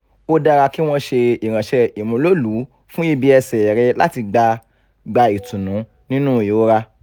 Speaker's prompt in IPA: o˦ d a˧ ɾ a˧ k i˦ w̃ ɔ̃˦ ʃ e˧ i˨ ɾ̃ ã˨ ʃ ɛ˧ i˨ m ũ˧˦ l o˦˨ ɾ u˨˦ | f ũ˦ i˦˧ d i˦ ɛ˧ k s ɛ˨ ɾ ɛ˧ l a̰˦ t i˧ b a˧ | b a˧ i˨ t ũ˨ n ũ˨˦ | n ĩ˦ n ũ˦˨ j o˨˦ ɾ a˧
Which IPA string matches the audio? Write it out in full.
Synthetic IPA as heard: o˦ d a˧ ɾ a˧ k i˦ w̃ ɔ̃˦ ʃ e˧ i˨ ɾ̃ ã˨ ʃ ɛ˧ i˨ m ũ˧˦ l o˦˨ l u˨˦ | f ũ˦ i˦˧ b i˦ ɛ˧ s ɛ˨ ɾ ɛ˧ l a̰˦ t i˧ ɡ͡b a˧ | ɡ͡b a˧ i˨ t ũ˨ n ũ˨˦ | n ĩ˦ n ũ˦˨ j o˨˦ ɾ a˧